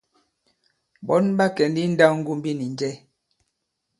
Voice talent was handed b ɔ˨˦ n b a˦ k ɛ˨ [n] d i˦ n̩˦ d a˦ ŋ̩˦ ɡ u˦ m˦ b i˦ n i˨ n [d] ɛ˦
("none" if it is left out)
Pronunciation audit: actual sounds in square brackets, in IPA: n, d͡ʒ

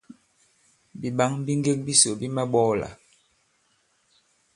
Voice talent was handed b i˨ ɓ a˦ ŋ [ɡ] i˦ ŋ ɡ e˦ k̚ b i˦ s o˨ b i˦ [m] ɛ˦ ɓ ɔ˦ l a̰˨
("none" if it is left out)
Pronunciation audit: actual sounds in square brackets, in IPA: b, m

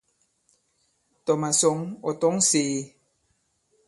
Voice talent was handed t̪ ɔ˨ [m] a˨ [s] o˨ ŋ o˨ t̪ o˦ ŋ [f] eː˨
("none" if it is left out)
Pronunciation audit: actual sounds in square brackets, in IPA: m, s, s

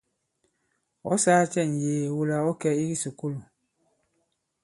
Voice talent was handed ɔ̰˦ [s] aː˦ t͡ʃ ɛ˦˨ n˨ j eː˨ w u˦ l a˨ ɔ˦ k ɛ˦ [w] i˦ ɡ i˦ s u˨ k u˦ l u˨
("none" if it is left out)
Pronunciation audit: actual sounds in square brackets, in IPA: s, none

